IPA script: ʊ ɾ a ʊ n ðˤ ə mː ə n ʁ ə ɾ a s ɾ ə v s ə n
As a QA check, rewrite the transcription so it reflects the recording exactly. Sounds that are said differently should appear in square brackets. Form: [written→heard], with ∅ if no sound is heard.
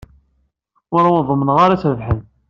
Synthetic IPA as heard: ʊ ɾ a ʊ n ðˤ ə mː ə n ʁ [ə→a] ɾ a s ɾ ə v [s→ħ] ə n